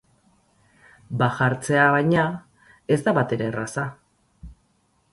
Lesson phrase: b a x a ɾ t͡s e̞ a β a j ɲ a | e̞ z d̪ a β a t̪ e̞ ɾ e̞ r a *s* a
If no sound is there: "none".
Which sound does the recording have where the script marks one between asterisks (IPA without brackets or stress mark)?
s